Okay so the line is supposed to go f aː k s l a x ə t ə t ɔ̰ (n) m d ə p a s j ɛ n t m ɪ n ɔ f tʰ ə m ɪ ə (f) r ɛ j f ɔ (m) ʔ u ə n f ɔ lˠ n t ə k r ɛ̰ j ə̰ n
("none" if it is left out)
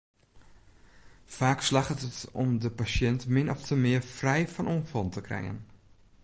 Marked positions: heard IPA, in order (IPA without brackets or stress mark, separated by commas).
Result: none, f, n